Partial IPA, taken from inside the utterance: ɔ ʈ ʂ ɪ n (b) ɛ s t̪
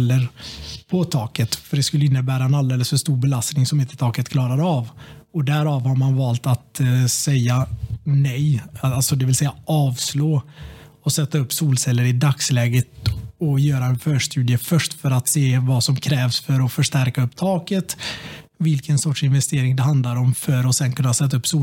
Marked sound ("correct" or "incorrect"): incorrect